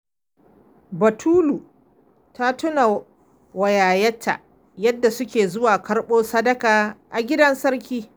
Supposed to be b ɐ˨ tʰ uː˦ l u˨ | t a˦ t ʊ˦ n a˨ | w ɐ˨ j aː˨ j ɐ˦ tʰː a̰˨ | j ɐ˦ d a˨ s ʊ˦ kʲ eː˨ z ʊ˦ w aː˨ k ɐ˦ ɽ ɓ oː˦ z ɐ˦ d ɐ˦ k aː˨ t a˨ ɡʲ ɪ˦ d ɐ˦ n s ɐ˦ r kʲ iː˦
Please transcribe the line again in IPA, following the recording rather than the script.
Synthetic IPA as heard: b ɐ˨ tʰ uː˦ l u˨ | t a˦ t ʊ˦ n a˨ | w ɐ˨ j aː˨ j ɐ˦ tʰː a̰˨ | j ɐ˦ dː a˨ s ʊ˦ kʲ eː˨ z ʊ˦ w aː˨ k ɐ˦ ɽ ɓ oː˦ s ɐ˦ d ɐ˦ k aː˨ ʔ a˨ ɡʲ ɪ˦ d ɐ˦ n s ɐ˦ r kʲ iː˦